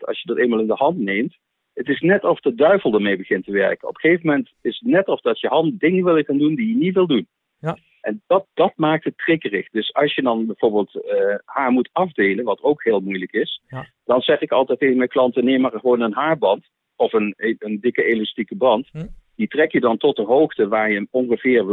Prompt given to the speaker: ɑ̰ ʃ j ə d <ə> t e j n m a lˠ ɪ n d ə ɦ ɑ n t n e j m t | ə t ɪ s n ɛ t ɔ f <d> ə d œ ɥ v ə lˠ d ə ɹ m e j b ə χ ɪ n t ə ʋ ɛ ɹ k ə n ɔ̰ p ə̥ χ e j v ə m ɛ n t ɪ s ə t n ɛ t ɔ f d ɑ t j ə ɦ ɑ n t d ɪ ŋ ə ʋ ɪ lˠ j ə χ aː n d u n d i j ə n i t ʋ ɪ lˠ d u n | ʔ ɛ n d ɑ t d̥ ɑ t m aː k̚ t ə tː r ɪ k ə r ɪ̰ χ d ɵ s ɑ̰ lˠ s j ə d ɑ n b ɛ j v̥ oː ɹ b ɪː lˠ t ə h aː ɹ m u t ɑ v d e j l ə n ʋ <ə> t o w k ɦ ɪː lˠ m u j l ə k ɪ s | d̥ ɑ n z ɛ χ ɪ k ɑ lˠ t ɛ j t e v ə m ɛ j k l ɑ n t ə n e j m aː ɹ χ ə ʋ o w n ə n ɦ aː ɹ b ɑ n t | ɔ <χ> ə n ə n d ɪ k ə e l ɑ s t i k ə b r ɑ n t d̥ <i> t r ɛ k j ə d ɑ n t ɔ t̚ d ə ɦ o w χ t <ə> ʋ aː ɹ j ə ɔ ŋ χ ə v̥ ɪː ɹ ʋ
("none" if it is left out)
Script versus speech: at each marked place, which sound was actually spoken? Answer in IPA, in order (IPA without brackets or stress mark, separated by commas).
ɑ, d, ɑ, f, i, ə